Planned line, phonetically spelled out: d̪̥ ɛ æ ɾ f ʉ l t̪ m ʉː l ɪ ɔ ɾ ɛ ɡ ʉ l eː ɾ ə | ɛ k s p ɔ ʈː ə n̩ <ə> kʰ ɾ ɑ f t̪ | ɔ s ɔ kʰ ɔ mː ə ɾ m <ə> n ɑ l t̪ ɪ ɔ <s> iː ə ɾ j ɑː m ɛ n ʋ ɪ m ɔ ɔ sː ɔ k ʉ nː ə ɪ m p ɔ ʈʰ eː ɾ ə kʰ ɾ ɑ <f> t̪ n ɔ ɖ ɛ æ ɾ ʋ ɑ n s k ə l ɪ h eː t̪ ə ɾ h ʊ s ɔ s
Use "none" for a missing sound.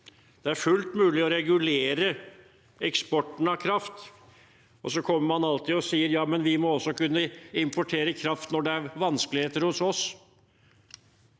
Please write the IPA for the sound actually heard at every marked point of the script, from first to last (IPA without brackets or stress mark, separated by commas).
ɑ, ɑ, s, f